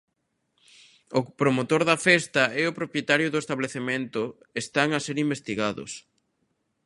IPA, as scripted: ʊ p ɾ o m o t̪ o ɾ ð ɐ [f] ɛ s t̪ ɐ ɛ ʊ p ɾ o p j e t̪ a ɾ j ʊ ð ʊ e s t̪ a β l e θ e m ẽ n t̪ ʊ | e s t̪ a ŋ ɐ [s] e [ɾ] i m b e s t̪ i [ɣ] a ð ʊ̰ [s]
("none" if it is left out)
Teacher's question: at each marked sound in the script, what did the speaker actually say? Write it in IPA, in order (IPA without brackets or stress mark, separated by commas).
f, s, ɾ, ɣ, s